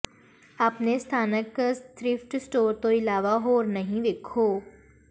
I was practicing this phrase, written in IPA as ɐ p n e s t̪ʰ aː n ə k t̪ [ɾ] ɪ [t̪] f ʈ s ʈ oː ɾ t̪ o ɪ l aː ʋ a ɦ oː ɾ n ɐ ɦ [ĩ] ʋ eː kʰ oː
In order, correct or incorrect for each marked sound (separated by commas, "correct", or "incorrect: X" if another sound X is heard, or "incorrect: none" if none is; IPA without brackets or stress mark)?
correct, incorrect: none, correct